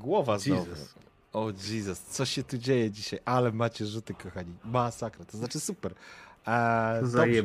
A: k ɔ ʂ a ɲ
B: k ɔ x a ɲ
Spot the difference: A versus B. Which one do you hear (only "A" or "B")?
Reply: B